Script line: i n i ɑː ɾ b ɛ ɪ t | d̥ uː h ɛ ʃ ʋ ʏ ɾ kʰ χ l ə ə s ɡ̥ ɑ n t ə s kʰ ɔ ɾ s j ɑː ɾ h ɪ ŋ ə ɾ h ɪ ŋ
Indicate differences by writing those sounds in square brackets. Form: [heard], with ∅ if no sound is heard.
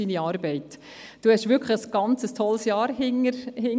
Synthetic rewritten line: i n i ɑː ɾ b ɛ ɪ t | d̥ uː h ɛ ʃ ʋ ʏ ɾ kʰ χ l ə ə s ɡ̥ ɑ n [t͡s] ə s [tʰ] ɔ [l] s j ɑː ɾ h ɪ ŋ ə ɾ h ɪ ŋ